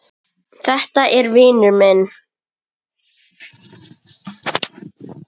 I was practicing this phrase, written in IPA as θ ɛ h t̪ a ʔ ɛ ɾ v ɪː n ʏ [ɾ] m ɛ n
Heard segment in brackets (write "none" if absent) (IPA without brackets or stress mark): ɾ